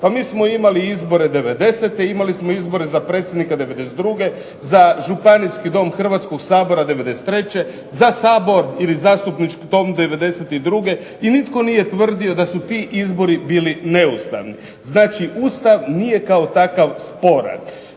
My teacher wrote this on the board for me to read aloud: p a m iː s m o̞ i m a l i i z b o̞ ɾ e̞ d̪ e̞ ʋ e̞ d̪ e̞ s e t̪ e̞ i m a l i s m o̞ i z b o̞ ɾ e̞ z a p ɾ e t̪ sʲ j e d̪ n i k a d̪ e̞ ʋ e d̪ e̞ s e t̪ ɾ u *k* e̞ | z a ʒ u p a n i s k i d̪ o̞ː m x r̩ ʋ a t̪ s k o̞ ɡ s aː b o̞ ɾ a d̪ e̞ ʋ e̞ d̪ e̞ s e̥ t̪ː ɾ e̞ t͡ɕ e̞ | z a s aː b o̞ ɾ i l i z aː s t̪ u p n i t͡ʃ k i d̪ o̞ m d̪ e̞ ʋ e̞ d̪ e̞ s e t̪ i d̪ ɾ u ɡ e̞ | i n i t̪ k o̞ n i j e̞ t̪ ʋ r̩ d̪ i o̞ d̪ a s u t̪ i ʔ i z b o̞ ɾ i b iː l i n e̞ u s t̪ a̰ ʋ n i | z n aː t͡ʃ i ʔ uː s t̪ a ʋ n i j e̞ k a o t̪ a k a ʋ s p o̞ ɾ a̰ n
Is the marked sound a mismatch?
yes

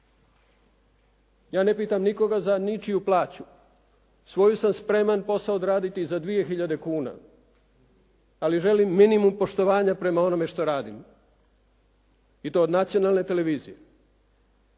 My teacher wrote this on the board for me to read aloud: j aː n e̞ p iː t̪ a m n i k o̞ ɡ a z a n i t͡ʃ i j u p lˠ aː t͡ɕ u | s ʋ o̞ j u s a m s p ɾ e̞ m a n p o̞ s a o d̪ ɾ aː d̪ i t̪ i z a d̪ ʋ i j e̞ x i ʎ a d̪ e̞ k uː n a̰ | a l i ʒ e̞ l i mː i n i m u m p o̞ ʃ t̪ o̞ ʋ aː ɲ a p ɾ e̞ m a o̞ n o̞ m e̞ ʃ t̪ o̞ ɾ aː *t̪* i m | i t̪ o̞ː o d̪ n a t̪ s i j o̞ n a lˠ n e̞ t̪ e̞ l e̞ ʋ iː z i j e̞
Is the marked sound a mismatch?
yes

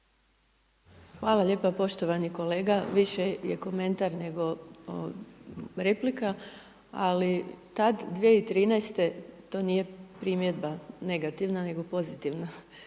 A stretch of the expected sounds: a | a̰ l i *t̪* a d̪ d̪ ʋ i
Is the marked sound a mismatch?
no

